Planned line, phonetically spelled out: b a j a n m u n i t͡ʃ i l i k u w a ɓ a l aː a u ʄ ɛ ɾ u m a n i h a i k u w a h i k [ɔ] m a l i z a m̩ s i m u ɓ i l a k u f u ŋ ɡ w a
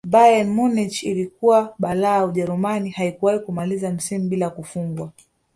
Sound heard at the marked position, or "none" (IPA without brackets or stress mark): u